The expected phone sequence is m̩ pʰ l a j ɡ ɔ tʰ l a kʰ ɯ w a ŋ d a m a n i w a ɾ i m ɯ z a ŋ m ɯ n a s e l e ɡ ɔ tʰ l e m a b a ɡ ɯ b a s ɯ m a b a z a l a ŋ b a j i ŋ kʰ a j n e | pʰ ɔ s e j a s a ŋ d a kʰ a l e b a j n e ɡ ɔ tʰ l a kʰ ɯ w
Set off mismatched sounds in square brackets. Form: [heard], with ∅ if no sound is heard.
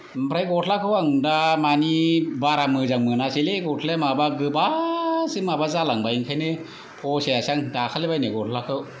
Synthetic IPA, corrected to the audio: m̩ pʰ [ɾ] a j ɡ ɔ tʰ l a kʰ ɯ w a ŋ d a m a n i [b] a ɾ [a] m ɯ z a ŋ m ɯ n a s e l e ɡ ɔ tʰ l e m a b a ɡ ɯ b a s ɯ m a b a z a l a ŋ b a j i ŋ kʰ a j n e | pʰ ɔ s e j a s a ŋ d a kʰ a l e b a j n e ɡ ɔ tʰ l a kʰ ɯ w